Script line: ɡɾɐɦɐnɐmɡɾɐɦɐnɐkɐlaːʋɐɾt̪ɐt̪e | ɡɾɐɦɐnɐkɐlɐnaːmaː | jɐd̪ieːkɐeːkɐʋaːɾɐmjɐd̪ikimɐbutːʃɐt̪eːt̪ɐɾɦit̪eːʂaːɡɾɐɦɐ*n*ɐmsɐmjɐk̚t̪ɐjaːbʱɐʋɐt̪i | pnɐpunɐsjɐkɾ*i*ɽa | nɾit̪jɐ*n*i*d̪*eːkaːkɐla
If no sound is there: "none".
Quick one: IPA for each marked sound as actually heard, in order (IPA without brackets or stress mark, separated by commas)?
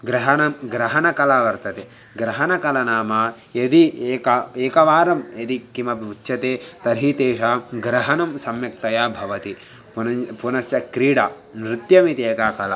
n, iː, m, t̪